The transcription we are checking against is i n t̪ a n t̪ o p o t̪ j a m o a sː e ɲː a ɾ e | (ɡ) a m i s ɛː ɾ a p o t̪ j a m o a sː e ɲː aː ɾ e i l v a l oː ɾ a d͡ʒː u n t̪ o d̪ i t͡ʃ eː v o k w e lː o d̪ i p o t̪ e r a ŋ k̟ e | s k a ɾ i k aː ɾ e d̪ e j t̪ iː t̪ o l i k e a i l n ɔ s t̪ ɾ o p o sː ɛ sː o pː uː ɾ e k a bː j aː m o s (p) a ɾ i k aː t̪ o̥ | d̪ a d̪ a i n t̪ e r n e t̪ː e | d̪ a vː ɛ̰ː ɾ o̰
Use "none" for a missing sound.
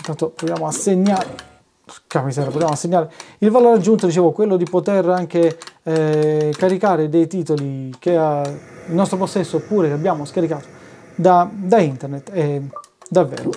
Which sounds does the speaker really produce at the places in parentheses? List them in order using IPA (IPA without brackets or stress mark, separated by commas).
k, k